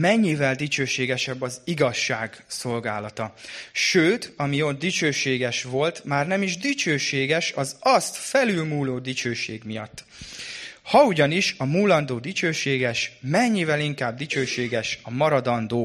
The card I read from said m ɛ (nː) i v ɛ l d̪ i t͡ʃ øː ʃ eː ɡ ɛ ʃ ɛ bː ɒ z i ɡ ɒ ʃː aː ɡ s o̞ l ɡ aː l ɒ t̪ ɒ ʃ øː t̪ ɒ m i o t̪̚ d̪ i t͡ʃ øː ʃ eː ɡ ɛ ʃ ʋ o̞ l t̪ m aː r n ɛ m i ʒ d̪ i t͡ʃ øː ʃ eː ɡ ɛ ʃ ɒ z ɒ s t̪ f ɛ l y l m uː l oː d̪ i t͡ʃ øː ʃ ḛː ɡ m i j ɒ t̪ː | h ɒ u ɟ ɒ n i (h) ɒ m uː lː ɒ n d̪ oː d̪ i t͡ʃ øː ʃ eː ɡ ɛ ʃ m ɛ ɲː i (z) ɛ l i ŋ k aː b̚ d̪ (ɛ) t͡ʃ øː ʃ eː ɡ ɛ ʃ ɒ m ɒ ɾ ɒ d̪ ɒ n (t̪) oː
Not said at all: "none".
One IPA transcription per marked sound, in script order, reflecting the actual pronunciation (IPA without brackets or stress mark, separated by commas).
ɲː, ʃ, v, i, d̪